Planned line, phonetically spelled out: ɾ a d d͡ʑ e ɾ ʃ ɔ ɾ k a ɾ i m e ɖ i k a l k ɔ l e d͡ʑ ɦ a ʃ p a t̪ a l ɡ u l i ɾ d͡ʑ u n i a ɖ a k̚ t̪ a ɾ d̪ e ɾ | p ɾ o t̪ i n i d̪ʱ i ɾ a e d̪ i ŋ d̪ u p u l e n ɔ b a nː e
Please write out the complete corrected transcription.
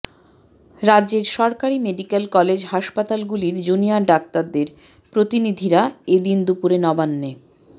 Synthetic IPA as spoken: ɾ a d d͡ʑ e ɾ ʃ ɔ ɾ k a ɾ i m e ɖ i k e l k ɔ l e d͡ʑ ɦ a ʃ p a t̪ a l ɡ u l i ɾ d͡ʑ u n i a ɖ a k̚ t̪ a ɾ d̪ e ɾ | p ɾ o t̪ i n i d̪ʱ i ɾ a e d̪ i n d̪ u p u ɾ e n ɔ b a nː e